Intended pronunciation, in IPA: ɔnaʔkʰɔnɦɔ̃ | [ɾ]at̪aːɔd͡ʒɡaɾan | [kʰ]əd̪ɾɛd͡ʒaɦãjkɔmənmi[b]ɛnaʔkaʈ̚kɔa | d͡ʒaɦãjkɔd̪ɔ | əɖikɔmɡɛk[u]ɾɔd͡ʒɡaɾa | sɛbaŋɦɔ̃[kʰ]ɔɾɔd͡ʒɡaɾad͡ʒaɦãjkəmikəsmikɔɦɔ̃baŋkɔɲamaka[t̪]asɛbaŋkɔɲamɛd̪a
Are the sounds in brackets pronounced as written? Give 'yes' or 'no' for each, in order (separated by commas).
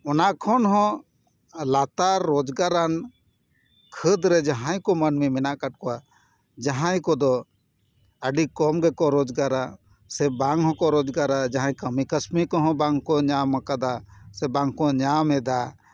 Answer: no, yes, no, no, no, no